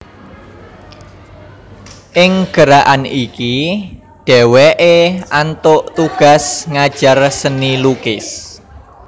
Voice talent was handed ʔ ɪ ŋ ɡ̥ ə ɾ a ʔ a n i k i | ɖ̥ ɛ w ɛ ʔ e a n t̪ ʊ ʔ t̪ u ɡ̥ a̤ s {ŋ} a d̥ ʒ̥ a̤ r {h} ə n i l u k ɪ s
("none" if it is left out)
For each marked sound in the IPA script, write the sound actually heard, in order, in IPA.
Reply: ŋ, s

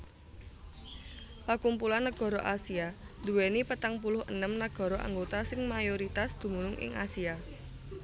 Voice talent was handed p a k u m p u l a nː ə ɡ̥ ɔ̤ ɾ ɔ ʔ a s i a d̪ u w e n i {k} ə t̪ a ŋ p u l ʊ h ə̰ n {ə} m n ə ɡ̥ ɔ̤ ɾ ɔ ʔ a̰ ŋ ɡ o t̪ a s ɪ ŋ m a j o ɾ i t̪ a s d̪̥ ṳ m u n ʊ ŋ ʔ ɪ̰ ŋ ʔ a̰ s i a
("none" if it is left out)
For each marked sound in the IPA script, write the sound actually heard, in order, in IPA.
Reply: p, ə

